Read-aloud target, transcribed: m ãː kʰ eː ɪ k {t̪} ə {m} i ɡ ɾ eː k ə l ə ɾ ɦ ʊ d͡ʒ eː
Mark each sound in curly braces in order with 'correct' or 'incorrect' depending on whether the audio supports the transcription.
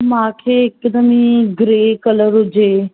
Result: incorrect, correct

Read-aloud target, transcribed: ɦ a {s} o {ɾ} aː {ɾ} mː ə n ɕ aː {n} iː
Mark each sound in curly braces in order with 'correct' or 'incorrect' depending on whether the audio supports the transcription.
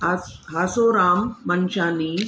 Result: correct, correct, incorrect, correct

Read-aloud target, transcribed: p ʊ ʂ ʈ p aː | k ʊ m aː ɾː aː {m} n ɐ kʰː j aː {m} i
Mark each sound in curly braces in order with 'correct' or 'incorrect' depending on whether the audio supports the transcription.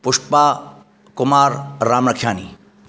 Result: correct, incorrect

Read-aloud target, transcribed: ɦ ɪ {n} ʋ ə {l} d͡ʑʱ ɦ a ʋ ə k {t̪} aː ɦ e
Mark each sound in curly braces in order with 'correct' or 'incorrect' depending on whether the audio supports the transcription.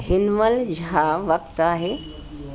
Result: correct, correct, correct

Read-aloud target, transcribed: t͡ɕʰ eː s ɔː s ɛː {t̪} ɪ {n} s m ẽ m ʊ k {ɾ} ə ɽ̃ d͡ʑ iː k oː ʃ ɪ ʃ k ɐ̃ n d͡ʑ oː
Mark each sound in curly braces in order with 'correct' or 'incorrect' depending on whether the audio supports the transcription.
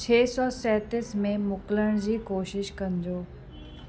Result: correct, incorrect, incorrect

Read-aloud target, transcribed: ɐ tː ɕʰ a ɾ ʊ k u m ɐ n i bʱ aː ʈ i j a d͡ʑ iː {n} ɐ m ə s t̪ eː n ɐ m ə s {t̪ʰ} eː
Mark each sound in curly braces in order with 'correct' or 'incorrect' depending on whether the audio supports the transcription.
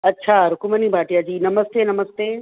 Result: correct, incorrect

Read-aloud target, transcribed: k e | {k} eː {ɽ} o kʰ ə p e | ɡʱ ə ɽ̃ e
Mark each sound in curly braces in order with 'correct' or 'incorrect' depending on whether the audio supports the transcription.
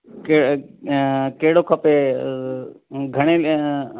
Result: correct, correct

